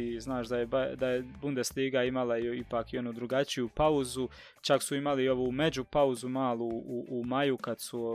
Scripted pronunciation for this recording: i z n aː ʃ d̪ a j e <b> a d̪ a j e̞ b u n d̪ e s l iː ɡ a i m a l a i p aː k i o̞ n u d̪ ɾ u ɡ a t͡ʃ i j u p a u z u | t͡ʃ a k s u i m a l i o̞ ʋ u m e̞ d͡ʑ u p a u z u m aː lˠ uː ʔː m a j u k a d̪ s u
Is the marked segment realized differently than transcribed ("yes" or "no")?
no